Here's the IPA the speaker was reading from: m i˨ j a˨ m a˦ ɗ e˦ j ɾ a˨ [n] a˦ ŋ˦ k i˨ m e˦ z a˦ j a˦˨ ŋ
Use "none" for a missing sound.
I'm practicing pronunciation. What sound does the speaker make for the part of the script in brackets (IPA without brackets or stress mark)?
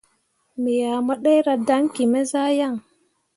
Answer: d